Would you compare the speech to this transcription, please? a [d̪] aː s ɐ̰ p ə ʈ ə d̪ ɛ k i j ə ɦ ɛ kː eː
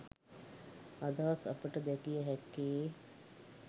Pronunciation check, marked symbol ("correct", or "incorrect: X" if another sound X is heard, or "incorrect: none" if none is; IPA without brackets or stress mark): correct